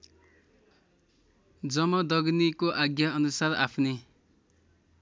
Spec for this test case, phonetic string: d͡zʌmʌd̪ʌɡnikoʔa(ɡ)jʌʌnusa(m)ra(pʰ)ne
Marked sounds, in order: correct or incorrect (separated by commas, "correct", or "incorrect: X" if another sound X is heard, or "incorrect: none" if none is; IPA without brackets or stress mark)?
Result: correct, incorrect: none, correct